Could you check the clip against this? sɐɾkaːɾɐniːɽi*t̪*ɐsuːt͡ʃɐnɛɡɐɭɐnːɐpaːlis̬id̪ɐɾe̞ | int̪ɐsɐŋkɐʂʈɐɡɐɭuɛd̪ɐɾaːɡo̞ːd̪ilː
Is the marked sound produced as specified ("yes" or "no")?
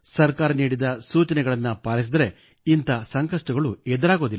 no